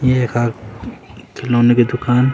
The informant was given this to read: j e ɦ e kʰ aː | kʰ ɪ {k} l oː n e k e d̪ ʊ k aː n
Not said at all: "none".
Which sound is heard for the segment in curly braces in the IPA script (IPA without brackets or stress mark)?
none